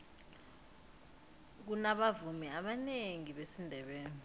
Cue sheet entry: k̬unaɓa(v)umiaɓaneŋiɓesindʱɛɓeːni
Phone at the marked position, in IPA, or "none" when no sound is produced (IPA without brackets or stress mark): v